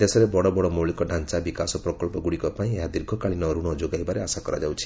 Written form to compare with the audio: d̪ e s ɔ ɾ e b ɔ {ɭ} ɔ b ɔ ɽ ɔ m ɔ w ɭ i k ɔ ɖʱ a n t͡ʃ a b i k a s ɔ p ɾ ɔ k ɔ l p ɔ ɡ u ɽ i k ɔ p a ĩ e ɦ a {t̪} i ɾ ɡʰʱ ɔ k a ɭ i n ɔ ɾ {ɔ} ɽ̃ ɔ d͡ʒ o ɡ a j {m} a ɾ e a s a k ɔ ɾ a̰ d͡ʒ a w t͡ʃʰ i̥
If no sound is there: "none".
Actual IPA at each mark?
ɽ, d̪, u, b

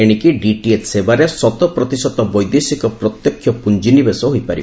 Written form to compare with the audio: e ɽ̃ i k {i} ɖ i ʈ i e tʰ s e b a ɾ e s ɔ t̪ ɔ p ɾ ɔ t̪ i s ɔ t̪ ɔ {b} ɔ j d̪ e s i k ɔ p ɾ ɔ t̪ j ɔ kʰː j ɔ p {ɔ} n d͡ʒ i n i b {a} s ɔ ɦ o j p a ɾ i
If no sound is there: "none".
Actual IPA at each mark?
i, b, u, e

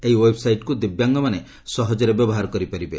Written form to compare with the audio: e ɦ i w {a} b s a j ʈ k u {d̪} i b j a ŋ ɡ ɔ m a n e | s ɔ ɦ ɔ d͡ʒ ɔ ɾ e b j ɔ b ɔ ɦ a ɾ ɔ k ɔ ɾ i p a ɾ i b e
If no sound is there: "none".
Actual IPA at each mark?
e, d̪

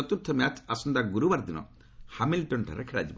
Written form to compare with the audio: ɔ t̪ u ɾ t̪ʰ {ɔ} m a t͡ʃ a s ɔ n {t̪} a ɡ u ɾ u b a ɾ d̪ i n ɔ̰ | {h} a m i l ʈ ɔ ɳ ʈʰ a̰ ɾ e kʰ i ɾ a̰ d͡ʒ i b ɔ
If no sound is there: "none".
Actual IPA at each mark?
ɔ, d̪, h

